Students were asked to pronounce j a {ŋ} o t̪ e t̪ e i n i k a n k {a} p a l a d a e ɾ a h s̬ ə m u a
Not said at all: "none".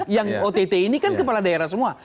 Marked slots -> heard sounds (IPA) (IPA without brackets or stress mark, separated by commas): ŋ, ə